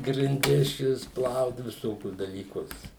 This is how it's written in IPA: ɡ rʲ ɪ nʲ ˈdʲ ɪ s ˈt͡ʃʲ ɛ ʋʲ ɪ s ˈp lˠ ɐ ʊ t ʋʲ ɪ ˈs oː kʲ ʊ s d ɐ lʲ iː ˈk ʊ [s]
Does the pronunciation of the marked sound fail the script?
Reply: no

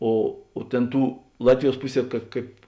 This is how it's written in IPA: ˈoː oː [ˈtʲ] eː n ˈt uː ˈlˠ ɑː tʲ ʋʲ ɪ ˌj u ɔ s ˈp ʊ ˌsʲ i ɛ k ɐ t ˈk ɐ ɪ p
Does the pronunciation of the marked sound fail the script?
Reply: no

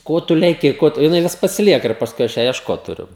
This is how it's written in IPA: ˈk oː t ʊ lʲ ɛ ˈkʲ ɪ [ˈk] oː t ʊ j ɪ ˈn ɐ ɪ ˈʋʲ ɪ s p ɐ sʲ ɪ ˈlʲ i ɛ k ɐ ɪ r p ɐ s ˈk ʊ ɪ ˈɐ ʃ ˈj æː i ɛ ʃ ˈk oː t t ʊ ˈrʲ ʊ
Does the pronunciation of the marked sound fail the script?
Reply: no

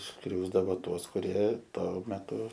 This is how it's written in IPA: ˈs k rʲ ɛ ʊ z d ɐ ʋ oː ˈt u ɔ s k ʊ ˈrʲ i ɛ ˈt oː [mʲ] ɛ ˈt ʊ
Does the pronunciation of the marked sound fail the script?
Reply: no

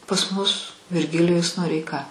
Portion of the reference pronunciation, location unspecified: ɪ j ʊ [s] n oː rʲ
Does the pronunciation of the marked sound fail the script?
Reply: no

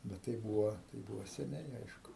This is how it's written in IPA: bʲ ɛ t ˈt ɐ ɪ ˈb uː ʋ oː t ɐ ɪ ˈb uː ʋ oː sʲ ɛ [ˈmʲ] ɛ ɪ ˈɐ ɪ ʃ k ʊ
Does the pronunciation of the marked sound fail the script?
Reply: yes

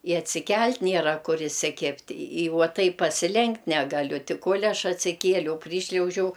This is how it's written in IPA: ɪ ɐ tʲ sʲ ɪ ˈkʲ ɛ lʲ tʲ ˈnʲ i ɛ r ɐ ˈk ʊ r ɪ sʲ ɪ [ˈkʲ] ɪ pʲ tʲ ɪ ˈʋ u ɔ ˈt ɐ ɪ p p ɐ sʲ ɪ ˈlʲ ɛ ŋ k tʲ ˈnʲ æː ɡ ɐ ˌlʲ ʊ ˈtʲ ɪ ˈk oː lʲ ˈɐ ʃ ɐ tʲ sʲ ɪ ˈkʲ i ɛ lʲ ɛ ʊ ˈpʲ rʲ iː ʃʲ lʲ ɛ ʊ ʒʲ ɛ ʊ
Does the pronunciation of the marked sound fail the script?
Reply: no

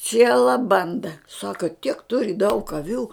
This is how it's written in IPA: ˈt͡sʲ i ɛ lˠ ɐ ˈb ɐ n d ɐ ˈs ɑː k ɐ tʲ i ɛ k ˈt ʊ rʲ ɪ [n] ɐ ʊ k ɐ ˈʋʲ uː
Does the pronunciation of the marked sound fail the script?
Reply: yes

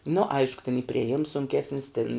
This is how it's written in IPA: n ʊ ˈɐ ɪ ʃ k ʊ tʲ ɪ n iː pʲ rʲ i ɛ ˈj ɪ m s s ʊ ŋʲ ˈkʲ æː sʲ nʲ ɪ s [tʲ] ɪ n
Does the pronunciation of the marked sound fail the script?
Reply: no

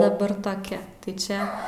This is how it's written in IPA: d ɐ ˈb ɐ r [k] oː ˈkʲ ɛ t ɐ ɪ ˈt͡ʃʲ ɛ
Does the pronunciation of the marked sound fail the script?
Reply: yes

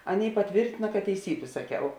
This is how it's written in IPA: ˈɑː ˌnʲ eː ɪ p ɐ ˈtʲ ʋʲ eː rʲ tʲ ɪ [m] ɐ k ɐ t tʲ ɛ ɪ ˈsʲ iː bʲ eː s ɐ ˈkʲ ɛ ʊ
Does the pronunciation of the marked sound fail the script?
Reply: yes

